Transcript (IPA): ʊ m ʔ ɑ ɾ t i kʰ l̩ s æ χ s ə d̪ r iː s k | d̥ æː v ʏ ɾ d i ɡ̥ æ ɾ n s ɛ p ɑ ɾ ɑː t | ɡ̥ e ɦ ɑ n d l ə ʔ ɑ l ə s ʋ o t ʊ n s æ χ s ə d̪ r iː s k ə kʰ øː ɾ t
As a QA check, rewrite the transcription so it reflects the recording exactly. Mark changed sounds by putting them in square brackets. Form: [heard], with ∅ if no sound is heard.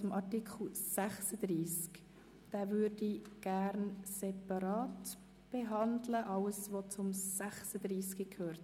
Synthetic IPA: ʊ m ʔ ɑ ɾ t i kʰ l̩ s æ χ s ə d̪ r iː s k | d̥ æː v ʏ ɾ d i ɡ̥ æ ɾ n s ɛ p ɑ ɾ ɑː t | [b̥] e ɦ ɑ n d l ə ʔ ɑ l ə s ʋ o [t͡s] ʊ [m] s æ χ s ə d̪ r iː s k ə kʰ øː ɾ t

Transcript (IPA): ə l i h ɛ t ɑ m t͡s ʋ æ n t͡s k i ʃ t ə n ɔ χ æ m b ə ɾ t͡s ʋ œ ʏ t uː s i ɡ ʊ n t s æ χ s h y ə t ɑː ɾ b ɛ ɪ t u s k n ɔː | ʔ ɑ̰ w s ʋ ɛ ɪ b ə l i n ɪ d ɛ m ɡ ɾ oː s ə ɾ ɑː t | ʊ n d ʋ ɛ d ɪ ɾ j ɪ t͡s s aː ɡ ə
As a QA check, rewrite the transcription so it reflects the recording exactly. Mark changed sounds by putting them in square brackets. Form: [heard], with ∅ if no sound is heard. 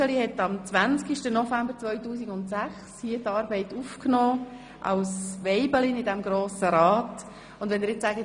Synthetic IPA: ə l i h ɛ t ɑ m t͡s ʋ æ n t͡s k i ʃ t ə n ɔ [f] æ m b ə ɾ t͡s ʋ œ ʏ t uː s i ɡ ʊ n t s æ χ s h [i] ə t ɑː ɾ b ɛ ɪ t u [f] k n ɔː | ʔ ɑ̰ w s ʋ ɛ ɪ b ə l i n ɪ d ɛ m ɡ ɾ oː s ə ɾ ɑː t | ʊ n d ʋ ɛ [n] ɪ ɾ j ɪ t͡s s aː ɡ ə

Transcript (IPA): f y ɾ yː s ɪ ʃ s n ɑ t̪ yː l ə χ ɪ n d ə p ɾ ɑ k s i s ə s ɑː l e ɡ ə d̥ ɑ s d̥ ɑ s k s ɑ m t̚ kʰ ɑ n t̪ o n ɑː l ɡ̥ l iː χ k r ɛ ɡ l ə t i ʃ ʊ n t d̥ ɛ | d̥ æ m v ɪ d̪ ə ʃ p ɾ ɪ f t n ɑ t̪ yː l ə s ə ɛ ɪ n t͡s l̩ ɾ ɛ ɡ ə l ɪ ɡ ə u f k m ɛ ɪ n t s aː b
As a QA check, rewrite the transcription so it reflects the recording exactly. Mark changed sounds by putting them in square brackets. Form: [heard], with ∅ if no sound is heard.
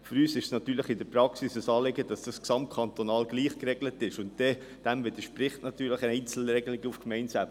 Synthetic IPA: f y ɾ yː s ɪ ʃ s n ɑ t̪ yː l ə χ ɪ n d ə p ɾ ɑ k s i s ə s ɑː l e ɡ ə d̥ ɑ s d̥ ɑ s k s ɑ m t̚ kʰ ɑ n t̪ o n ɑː l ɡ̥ l iː χ k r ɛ ɡ l ə t [ɪ] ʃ ʊ n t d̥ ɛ | d̥ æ m v ɪ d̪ ə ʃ p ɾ ɪ [χ] t n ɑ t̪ yː l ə [χ] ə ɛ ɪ n t͡s l̩ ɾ ɛ ɡ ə l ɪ ɡ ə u f k m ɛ ɪ n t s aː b

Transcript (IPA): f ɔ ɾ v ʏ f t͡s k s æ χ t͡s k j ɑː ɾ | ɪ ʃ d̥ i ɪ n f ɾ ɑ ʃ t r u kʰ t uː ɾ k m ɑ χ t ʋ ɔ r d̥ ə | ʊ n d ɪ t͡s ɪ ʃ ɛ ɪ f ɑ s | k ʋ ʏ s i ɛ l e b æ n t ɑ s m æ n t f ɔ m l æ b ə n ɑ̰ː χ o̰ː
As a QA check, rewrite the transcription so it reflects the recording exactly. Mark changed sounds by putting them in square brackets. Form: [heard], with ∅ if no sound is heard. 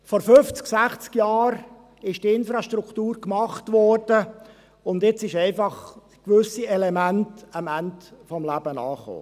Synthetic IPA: f ɔ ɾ [f] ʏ f t͡s k s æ χ t͡s k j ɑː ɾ | ɪ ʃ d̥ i ɪ n f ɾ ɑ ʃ t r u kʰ t uː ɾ k m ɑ χ t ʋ ɔ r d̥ ə | ʊ n d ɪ t͡s ɪ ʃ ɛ ɪ f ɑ [χ] | k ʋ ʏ s i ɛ l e [m] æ n t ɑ [∅] m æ n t f ɔ m l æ b ə n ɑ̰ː χ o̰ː

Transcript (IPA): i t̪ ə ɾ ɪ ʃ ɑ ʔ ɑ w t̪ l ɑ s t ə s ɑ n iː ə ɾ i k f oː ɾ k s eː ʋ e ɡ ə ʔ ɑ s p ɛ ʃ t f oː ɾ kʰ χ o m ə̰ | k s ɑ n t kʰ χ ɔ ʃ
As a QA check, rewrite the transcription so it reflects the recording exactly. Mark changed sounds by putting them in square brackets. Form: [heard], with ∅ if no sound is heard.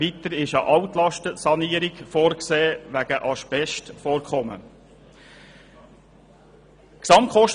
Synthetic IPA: i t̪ ə ɾ ɪ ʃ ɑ ʔ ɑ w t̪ l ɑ [ʃ] t ə s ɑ n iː ə ɾ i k f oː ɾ k s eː ʋ [æ] ɡ ə ʔ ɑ [ʃ] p ɛ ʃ t f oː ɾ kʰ χ [ɔ] m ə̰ | k s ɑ [m] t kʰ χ ɔ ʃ

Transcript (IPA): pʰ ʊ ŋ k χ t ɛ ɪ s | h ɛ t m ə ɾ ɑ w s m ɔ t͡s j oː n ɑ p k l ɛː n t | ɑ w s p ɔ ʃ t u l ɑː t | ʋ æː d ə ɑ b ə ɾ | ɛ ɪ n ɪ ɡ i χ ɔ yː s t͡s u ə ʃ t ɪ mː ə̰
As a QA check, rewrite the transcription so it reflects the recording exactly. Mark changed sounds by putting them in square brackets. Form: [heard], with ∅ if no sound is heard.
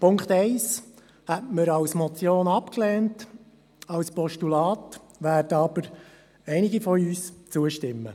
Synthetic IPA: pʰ ʊ ŋ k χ t ɛ ɪ s | h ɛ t m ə ɾ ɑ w s m ɔ t͡s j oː n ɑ p k l ɛː n t | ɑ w s p ɔ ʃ t u l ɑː t | ʋ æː d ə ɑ b ə ɾ | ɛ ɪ n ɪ ɡ i [f] ɔ yː s t͡s u ə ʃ t ɪ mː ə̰

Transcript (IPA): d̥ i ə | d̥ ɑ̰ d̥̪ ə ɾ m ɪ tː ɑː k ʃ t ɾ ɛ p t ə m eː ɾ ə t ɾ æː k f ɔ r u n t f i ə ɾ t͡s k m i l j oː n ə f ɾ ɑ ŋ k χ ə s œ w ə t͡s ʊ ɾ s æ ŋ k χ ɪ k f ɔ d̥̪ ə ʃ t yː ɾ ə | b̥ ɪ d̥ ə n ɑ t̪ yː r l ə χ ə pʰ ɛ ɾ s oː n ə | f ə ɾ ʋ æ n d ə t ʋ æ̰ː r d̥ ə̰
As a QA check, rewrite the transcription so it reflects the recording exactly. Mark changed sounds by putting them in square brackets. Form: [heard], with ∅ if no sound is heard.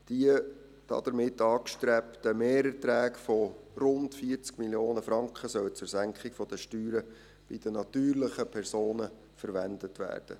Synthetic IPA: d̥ i ə | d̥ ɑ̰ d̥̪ ə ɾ m ɪ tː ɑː k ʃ t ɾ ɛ p t ə m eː ɾ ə t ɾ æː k f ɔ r [ʊ] n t f i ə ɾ t͡s k m i l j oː n ə f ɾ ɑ ŋ k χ ə s œ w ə t͡s ʊ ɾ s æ ŋ k χ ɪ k f ɔ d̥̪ ə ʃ t yː ɾ ə | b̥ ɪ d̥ ə n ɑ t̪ yː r l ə χ ə pʰ ɛ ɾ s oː n ə | f ə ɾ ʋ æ n d ə t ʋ æ̰ː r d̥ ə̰

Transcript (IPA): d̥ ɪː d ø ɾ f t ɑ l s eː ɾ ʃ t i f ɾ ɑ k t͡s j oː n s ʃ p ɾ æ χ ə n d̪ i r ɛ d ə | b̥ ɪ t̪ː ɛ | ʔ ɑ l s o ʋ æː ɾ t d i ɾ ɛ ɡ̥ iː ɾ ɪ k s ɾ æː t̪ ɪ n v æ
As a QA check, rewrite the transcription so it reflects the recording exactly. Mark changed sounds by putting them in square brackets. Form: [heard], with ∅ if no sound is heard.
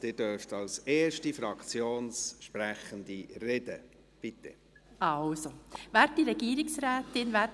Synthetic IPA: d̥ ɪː d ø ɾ f t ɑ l s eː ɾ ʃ t i f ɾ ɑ k t͡s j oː n s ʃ p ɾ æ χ ə n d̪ i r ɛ d ə | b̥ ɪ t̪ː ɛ | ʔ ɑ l s o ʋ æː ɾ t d i ɾ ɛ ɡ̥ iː ɾ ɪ k s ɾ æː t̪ ɪ n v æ

